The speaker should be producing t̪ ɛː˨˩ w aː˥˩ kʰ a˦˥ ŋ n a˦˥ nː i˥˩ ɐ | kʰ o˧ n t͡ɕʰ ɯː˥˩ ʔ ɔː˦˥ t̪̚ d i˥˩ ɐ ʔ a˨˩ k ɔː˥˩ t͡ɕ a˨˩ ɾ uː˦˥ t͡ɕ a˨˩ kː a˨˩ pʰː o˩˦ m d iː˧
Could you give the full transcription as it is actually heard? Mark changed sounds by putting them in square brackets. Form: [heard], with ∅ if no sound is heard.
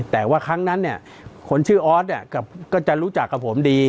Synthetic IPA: t̪ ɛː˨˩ w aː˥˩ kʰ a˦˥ ŋ n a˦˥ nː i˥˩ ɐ | kʰ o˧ n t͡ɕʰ ɯː˥˩ ʔ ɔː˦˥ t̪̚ [n] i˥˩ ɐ [k] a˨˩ k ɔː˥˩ t͡ɕ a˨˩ ɾ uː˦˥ t͡ɕ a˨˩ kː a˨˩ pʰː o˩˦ m d iː˧